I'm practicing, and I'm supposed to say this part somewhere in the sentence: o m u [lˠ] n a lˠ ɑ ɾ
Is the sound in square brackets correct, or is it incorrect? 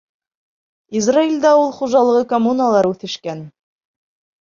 incorrect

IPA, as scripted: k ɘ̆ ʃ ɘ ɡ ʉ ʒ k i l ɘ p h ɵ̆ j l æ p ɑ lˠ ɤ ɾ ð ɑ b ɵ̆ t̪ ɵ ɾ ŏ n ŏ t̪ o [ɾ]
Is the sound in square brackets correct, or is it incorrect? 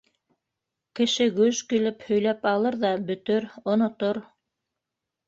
correct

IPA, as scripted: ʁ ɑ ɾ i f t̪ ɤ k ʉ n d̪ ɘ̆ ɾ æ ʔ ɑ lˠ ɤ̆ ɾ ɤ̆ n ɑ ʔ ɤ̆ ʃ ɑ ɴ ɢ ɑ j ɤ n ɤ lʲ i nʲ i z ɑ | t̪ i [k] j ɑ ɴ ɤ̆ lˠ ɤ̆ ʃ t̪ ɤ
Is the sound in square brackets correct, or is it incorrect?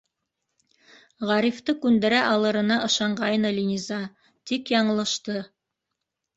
correct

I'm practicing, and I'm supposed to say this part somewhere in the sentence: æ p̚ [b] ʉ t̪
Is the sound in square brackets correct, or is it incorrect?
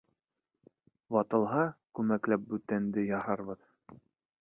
correct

